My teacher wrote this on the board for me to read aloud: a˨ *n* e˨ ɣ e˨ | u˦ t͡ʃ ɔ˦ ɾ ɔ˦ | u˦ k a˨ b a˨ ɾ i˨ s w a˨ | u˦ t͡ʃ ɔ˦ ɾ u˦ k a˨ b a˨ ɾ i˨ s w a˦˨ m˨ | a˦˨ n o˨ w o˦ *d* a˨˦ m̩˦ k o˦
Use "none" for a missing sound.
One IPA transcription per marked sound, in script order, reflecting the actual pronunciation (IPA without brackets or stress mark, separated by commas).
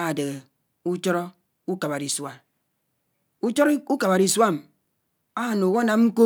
d, n